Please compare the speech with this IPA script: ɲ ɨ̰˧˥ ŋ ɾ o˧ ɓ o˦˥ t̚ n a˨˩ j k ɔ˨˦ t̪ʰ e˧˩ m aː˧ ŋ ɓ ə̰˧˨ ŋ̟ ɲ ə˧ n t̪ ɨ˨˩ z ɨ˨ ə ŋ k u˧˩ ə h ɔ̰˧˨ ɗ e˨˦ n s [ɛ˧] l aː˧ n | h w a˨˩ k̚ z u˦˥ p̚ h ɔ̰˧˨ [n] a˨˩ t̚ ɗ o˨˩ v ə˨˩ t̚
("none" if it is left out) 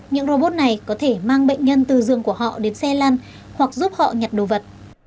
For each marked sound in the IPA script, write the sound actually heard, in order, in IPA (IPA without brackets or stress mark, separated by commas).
ɛ˧, ɲ